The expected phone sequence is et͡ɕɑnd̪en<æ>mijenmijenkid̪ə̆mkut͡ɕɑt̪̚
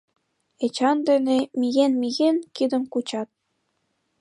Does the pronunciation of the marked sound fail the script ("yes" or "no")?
yes